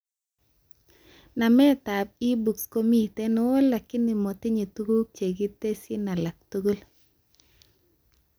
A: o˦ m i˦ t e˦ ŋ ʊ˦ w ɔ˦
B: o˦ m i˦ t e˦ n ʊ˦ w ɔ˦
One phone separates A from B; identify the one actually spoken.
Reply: B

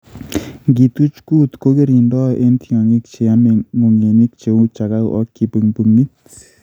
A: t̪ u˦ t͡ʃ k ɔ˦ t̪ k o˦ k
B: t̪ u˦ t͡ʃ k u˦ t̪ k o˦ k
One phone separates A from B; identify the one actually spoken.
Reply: B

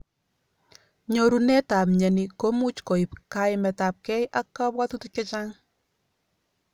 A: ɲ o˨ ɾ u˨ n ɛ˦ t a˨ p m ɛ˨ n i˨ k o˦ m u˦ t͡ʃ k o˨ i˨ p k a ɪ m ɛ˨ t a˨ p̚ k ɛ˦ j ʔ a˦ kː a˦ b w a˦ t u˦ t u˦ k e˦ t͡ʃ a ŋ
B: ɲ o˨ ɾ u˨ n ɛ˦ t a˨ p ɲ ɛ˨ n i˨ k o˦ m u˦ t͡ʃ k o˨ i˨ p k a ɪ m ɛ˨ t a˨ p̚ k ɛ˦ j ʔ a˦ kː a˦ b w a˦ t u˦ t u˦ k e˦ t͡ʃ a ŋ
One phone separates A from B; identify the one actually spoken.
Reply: B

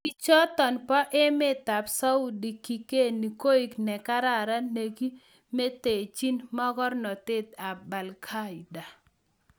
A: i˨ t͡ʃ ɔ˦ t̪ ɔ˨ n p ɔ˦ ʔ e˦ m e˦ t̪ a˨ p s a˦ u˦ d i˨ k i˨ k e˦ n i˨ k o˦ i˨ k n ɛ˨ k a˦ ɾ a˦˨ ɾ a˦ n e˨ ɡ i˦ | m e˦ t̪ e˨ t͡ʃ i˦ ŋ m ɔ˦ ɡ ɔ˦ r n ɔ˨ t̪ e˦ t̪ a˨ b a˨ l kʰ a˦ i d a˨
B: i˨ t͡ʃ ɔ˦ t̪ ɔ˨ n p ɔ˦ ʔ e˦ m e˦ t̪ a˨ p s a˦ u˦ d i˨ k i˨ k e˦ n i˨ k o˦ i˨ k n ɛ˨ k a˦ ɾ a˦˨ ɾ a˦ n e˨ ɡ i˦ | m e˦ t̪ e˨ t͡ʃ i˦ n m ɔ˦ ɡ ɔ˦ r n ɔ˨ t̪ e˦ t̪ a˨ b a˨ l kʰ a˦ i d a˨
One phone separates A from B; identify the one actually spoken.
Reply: B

